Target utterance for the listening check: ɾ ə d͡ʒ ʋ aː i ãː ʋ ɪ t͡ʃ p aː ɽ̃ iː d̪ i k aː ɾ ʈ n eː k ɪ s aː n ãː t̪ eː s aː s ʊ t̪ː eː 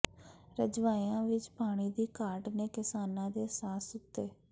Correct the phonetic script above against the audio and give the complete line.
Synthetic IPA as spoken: ɾ ə d͡ʒ ʋ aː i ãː ʋ ɪ t͡ʃ p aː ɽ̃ iː d̪ iː k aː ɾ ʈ n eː k ɪ s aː n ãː d̪ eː s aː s ʊ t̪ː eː